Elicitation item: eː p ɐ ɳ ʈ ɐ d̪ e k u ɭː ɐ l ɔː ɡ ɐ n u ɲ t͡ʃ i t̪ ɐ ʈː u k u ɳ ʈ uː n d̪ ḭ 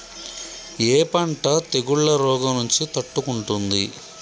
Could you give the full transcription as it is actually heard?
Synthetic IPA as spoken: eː p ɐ ɳ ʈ ɐ t̪ e ɡ u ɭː ɐ ɾ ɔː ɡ ɐ n u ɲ t͡ʃ i t̪ ɐ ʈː u k u ɳ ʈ u n d̪ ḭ